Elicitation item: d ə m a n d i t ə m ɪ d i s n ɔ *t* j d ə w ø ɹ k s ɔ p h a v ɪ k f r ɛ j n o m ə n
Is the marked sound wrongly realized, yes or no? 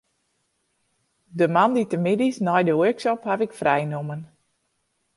yes